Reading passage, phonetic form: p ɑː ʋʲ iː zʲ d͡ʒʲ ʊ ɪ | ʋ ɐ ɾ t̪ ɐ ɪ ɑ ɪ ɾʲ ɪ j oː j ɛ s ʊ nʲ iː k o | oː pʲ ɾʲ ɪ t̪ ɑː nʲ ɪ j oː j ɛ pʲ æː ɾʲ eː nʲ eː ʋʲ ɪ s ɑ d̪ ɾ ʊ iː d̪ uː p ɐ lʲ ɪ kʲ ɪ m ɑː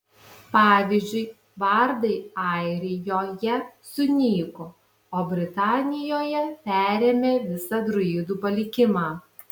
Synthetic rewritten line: p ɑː ʋʲ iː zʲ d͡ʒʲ ʊ ɪ | ʋ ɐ ɾ d̪ ɐ ɪ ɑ ɪ ɾʲ ɪ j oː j ɛ s ʊ nʲ iː k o | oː bʲ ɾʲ ɪ t̪ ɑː nʲ ɪ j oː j ɛ pʲ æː ɾʲ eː mʲ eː ʋʲ ɪ s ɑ d̪ ɾ ʊ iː d̪ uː p ɐ lʲ ɪ kʲ ɪ m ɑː